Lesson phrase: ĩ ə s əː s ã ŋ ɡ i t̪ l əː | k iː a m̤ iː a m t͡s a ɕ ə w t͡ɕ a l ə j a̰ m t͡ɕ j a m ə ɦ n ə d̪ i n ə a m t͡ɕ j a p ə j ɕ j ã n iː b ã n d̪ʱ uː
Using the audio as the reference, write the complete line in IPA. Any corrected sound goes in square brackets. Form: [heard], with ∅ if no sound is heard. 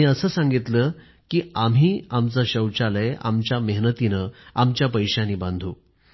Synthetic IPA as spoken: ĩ ə s əː s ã ŋ ɡ i t̪ l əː | k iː a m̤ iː a m t͡s a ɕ ə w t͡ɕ a l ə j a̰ m t͡ɕ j a m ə ɦ n ə [t̪] i n ə a m t͡ɕ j a p ə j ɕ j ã n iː b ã n d̪ʱ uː